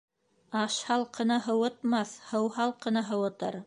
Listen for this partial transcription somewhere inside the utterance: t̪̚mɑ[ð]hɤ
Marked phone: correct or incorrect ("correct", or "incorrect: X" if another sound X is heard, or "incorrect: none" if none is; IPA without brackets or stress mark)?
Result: incorrect: θ